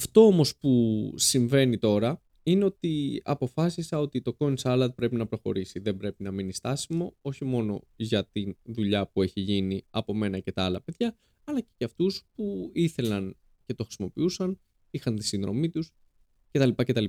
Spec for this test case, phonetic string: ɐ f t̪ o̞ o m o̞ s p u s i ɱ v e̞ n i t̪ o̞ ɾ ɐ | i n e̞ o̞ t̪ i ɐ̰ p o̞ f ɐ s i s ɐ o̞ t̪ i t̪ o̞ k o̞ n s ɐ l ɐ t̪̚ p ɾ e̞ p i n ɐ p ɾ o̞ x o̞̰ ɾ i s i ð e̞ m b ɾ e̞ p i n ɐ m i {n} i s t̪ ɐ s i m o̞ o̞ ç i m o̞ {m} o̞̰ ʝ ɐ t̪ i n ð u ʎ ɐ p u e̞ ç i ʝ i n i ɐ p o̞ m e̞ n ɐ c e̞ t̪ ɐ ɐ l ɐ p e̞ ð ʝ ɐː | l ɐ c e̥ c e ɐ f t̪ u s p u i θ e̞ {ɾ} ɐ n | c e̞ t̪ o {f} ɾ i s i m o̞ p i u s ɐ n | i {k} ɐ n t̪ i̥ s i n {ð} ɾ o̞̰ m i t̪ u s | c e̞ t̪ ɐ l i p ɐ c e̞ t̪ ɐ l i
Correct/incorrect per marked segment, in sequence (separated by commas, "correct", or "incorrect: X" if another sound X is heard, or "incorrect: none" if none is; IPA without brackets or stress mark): correct, incorrect: n, incorrect: l, incorrect: x, incorrect: x, correct